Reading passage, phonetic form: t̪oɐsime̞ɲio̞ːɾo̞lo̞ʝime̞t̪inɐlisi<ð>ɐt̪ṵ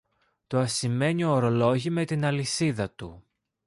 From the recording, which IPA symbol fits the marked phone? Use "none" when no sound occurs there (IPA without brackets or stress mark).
ð